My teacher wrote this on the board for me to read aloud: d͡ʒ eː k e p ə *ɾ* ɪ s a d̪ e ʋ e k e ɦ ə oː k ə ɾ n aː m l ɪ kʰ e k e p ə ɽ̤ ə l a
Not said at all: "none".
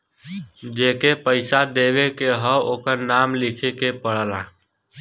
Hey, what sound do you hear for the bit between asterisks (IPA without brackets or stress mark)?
none